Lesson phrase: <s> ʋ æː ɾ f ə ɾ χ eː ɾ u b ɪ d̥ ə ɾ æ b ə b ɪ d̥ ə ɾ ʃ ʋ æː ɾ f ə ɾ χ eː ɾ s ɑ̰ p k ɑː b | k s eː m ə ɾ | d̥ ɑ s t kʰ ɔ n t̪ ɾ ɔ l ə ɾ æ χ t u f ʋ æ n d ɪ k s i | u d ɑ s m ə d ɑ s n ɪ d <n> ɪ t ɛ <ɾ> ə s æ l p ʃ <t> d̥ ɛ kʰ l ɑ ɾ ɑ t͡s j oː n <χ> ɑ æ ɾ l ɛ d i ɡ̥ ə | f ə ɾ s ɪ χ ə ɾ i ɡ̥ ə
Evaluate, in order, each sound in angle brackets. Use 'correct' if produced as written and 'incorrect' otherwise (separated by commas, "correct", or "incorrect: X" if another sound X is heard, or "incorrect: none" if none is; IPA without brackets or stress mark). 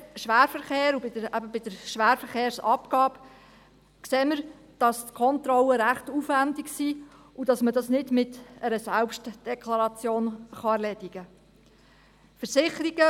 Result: incorrect: ʃ, incorrect: m, correct, correct, correct